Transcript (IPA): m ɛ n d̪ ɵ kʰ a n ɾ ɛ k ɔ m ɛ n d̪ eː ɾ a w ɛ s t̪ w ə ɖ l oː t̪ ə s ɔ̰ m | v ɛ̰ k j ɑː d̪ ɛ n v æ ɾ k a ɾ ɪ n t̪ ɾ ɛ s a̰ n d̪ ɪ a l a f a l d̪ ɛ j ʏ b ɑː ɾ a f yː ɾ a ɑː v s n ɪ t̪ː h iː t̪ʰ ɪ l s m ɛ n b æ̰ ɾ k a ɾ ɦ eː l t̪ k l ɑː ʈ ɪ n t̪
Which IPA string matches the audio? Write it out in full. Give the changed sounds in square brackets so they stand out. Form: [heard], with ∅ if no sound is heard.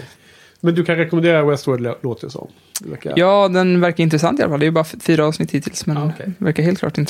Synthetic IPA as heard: m ɛ n d̪ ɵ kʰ a n ɾ ɛ k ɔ m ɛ n d̪ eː ɾ a w ɛ s t̪ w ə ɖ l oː t̪ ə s ɔ̰ m | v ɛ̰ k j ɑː d̪ ɛ n v æ ɾ k a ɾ ɪ n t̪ ɾ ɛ s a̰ n [t̪] ɪ a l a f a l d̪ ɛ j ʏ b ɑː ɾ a f yː ɾ a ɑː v s n ɪ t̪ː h iː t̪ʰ ɪ l s m ɛ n [v] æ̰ ɾ k a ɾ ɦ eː l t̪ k l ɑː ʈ ɪ n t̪